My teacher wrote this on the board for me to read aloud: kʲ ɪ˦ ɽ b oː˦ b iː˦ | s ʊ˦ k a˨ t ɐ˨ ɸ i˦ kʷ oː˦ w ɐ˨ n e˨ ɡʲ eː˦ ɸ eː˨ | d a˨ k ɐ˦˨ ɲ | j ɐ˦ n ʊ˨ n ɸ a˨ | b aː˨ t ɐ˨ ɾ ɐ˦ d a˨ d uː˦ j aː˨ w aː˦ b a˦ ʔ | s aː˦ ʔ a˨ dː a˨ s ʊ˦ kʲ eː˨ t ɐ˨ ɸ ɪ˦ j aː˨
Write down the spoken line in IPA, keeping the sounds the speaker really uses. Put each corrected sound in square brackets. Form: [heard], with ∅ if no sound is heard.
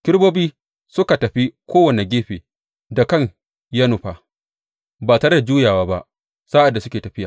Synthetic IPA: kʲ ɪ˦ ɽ b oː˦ b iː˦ | s ʊ˦ k a˨ t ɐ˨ ɸ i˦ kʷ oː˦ w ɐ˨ n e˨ ɡʲ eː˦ ɸ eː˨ | d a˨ k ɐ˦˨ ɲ | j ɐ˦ n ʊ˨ [∅] ɸ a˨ | b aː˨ t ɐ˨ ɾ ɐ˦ d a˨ [d͡ʒ] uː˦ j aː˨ w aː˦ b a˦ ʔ | s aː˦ ʔ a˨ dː a˨ s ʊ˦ kʲ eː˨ t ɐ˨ ɸ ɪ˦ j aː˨